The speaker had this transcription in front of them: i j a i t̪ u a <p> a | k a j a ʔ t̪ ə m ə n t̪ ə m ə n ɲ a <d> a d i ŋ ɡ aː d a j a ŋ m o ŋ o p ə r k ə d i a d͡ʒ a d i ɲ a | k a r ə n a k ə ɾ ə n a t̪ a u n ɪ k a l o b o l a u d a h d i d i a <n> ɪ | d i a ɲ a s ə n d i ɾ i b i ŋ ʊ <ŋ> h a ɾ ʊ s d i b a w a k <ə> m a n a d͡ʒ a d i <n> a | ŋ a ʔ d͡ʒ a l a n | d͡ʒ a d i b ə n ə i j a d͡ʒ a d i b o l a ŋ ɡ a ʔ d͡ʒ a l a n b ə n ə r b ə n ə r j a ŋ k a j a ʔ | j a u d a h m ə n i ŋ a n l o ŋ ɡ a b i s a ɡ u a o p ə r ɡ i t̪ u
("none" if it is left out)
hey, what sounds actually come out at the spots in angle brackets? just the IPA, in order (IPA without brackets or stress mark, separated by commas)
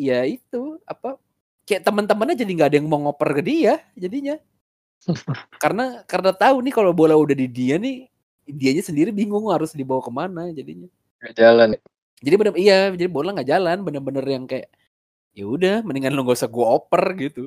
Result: p, d͡ʒ, n, ŋ, ə, ɲ